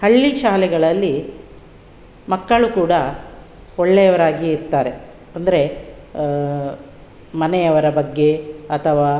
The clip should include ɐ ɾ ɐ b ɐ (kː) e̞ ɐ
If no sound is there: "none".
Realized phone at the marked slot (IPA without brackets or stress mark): ɡː